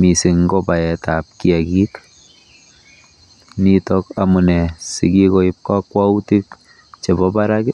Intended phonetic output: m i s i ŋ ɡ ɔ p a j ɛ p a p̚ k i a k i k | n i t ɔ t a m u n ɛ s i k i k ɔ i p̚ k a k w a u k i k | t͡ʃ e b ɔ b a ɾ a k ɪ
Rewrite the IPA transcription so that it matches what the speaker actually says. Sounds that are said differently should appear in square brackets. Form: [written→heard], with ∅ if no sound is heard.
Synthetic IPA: m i s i ŋ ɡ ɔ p a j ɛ [p→t] a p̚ k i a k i k | n i t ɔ [t→k] a m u n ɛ s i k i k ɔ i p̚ k a k w a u [k→t] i k | t͡ʃ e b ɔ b a ɾ a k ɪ